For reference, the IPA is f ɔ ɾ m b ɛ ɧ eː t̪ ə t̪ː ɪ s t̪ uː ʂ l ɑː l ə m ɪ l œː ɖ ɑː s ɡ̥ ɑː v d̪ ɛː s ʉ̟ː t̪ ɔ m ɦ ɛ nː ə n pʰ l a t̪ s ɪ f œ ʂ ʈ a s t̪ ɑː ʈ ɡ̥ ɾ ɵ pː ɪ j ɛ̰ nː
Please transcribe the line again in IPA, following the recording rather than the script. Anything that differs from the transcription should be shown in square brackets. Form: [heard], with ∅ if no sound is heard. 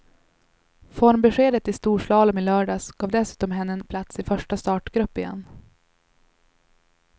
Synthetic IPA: f ɔ ɾ m b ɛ ɧ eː [d̪] ə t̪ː ɪ s t̪ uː ʂ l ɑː l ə m ɪ l œː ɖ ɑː s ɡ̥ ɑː v d̪ [ɛ] s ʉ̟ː t̪ ɔ m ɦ ɛ nː ə n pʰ l a t̪ s ɪ f œ ʂ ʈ a s t̪ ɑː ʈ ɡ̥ ɾ ɵ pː ɪ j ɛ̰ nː